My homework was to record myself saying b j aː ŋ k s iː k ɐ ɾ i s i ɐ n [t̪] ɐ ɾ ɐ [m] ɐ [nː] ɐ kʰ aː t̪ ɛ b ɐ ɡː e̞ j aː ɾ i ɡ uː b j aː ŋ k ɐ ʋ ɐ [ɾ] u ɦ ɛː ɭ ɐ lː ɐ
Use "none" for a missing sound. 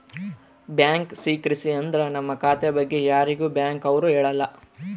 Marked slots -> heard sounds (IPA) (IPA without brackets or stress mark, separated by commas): d̪, n, mː, ɾ